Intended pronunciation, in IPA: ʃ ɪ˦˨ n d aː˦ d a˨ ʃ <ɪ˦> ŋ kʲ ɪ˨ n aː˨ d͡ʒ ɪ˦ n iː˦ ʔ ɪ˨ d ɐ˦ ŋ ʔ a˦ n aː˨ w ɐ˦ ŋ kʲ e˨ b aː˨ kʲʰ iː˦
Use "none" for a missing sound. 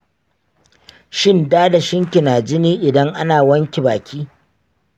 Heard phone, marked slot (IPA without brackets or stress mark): ɪ˦